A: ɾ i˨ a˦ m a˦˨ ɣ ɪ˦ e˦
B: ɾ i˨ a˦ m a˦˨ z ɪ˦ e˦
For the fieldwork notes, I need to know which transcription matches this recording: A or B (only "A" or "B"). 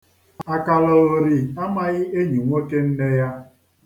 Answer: A